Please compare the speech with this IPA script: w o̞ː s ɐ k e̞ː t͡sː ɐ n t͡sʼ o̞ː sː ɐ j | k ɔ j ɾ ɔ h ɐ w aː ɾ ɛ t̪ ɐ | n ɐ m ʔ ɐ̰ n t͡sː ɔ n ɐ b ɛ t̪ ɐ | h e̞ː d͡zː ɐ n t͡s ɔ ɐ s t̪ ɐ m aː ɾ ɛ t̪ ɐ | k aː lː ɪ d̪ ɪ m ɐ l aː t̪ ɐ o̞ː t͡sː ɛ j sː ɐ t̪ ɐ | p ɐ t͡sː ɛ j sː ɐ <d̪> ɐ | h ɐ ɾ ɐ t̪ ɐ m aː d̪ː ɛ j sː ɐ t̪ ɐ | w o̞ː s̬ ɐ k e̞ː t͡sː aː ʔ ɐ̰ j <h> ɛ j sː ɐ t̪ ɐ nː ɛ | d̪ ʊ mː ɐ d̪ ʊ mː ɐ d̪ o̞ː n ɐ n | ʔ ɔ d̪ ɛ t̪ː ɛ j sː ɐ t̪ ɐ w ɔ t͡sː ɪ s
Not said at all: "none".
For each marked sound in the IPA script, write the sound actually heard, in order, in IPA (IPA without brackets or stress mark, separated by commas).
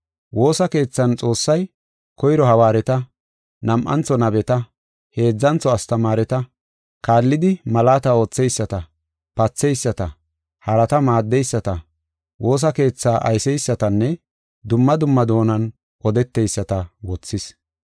t̪, s